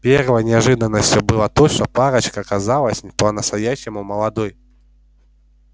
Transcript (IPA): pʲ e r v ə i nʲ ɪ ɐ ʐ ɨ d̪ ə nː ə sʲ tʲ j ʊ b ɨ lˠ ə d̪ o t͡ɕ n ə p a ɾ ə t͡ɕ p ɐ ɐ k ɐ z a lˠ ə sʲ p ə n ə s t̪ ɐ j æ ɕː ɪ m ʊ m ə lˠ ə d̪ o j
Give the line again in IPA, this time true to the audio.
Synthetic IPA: pʲ e r v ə j nʲ ɪ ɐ ʐ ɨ d̪ ə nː ə sʲ tʲ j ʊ b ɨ lˠ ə t̪ o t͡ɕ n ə p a ɾ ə t͡ɕ k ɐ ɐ k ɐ z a lˠ ə sʲ p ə n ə s t̪ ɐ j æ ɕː ɪ m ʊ m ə lˠ ɐ d̪ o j